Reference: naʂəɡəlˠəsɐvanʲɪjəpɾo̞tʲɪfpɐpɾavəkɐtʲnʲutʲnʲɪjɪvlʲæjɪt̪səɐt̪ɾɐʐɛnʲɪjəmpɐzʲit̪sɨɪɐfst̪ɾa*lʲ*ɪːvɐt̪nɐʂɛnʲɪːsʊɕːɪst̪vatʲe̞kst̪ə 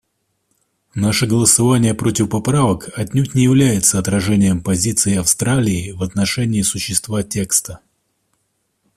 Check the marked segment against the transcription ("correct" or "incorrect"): correct